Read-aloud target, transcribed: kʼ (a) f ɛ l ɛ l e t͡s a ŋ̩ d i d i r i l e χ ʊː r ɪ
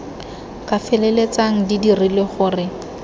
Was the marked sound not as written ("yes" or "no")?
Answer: no